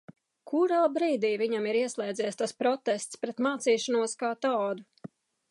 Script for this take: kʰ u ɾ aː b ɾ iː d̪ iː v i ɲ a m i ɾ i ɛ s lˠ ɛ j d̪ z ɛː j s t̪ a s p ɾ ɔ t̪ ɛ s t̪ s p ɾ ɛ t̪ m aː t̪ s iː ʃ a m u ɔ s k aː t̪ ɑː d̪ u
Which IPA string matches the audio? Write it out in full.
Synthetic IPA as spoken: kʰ u ɾ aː b ɾ iː d̪ iː v i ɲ a m i ɾ i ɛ s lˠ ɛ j d̪ z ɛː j s t̪ a s p ɾ ɔ t̪ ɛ s t̪ s p ɾ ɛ t̪ m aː t̪ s iː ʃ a n u ɔ s k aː t̪ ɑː d̪ u

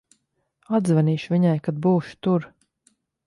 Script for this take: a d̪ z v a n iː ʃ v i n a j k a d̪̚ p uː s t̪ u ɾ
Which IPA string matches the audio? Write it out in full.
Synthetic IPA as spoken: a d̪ z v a n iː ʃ v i ɲ a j k a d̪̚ b uː ʃ t̪ u ɾ

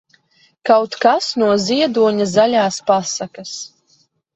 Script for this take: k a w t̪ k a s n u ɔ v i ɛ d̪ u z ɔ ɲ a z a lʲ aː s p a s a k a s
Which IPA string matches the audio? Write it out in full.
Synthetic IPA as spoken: k a w t̪ k a s n u ɔ z i ɛ d̪ u ɔ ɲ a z a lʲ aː s p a s a k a s

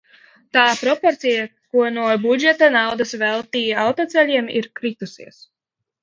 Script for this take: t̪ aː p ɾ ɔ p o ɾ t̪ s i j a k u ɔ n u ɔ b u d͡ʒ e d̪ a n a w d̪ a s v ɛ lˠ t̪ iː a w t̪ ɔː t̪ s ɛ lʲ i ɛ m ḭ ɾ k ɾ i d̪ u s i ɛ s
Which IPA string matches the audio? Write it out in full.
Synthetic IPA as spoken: t̪ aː p ɾ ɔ p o ɾ t̪ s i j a k u ɔ n u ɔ b u d͡ʒ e t̪ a n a w d̪ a s v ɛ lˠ t̪ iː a w t̪ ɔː t̪ s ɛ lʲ i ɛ m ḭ ɾ k ɾ i t̪ u s i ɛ s

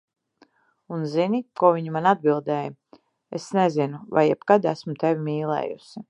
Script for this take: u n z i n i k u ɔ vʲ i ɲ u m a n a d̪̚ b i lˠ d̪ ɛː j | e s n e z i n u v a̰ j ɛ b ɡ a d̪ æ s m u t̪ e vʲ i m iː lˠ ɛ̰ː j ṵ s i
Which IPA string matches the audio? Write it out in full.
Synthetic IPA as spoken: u n z i n i k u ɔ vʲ i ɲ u m a n a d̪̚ b i lˠ d̪ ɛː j | e s n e z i n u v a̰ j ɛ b k a d̪ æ s m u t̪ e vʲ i m iː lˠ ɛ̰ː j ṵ s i

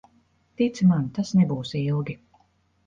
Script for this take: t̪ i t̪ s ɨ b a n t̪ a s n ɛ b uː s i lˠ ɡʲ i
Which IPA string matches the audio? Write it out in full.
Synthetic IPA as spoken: t̪ i t̪ s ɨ m a n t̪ a s n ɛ b uː s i lˠ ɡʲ i

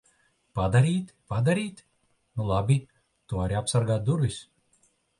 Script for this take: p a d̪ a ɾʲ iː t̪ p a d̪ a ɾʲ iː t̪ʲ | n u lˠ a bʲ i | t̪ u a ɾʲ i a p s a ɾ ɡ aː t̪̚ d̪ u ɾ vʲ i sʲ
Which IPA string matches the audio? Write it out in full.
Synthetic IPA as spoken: p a d̪ a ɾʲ iː t̪ p a d̪ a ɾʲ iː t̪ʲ | n u lˠ a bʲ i | t̪ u a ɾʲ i a p s a ɾ ɡ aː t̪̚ d̪ u ɾ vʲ i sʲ

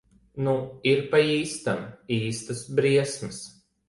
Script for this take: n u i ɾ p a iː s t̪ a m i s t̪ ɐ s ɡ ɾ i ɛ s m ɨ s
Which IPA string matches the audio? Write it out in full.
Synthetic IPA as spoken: n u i ɾ p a iː s t̪ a m iː s t̪ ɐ s b ɾ i ɛ s m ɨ s

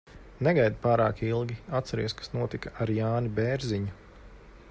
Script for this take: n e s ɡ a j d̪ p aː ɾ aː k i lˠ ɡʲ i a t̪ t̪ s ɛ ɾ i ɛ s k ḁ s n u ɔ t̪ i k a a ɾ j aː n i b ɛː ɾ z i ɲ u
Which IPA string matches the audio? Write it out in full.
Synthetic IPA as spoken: n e ɡ a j d̪ p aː ɾ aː k i lˠ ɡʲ i a t̪ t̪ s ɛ ɾ i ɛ s k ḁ s n u ɔ t̪ i k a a ɾ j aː n i b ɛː ɾ z i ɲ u

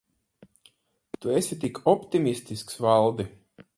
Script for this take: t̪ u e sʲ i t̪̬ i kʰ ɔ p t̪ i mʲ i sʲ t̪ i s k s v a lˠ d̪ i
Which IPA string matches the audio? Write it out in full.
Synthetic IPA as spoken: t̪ u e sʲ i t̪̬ i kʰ ɔ p t̪ i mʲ i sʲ t̪ i s k s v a lˠ d̪ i

